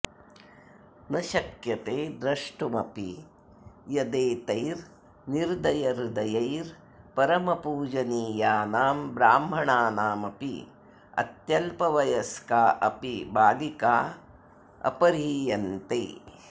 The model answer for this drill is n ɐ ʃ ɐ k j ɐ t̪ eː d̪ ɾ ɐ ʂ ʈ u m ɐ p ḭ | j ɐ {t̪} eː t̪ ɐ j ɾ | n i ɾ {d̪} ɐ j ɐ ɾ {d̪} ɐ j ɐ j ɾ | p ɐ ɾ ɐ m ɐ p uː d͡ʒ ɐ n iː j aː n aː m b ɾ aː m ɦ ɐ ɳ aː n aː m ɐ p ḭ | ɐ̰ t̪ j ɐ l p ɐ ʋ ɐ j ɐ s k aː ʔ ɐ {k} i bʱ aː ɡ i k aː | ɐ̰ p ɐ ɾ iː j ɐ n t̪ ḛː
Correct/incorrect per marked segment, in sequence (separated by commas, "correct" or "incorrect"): incorrect, correct, correct, incorrect